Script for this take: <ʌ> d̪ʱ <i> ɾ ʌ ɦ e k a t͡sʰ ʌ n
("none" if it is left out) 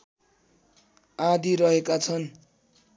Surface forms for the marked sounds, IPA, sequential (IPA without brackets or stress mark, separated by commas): a, i